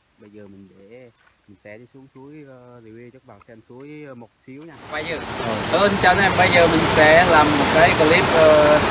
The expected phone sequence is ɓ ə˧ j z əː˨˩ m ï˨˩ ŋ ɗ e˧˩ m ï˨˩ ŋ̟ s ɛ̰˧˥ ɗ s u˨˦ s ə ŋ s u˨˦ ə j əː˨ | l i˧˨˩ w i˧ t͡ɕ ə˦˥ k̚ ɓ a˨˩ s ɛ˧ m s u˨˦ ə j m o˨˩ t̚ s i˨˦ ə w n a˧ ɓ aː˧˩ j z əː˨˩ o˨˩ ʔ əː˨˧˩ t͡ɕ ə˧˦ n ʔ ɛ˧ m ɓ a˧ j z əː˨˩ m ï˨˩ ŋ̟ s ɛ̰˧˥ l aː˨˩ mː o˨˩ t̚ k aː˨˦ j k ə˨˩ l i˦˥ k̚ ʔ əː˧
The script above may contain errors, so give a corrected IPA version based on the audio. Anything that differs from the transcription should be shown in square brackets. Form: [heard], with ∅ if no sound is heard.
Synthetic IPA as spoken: ɓ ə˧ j z əː˨˩ m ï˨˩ ŋ ɗ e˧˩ m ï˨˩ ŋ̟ s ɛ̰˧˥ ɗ s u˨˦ [∅] ə ŋ s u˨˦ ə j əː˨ | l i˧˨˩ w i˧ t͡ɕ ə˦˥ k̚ ɓ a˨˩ s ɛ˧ m s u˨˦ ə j m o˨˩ t̚ s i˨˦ ə w [ɲ] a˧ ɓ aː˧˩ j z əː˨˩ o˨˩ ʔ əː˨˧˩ t͡ɕ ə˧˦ n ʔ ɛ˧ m ɓ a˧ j z əː˨˩ m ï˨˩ ŋ̟ s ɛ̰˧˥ l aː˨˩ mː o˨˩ t̚ k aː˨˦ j k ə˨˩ l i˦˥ [p̚] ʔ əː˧